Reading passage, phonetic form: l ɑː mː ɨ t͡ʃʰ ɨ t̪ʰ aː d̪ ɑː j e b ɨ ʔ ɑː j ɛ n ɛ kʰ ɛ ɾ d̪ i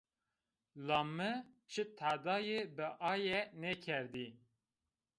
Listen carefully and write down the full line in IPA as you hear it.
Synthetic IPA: l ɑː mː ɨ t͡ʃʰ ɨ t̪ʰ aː d̪ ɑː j e b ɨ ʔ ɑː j ɛ n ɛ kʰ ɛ ɾ d̪ i